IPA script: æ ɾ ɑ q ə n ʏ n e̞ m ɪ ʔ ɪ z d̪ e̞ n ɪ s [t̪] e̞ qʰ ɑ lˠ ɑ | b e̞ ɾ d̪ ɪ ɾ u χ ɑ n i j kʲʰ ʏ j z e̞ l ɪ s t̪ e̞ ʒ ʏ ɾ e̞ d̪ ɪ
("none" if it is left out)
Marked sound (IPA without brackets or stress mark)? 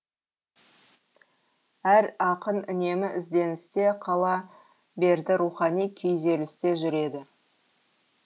t̪